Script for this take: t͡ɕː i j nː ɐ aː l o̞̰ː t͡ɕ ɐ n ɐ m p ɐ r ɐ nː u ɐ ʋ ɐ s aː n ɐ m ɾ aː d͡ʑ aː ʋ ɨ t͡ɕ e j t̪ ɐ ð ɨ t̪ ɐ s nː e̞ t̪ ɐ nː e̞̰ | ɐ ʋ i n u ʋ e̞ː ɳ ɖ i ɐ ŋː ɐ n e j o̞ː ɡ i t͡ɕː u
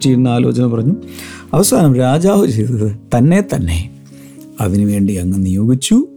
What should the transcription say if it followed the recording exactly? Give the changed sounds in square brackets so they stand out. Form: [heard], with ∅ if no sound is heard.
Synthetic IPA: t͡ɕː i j nː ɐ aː l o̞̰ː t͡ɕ ɐ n ɐ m p ɐ r ɐ [ɲː] u ɐ ʋ ɐ s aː n ɐ m ɾ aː d͡ʑ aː ʋ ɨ t͡ɕ e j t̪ ɐ ð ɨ t̪ ɐ [∅] nː e̞ t̪ ɐ nː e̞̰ | ɐ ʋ i n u ʋ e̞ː ɳ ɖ i ɐ ŋː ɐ n [i] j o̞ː ɡ i t͡ɕː u